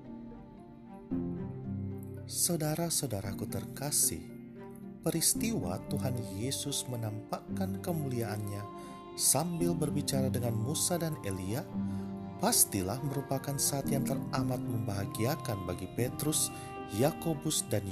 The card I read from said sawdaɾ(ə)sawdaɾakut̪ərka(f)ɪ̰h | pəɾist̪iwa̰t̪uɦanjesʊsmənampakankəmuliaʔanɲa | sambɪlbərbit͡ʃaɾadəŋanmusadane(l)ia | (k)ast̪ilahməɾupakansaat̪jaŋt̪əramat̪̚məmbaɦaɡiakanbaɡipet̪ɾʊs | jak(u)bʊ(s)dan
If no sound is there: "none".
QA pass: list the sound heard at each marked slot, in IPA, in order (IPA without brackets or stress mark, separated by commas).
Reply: a, s, l, p, o, s